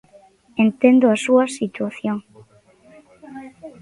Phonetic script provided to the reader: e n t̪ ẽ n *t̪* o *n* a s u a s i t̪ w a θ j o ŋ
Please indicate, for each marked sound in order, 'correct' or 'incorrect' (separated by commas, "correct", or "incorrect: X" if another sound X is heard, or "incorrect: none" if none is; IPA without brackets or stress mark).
incorrect: d̪, incorrect: none